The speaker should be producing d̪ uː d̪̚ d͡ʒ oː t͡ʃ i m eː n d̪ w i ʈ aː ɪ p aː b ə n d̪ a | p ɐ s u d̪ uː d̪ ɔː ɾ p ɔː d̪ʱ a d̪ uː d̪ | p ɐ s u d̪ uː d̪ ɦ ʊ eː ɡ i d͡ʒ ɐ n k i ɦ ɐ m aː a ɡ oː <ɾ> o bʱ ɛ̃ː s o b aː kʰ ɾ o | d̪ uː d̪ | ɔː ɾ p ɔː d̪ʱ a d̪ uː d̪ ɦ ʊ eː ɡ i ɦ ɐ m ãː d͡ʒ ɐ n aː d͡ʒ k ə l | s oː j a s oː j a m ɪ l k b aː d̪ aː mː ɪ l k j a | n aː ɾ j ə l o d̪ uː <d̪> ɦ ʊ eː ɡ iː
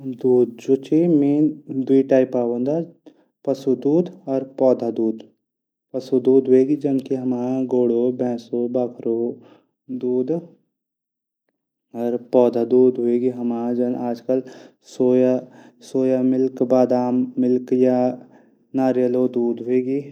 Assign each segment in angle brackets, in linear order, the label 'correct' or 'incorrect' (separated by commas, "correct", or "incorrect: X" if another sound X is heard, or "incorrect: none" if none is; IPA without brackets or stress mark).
incorrect: ɽ, correct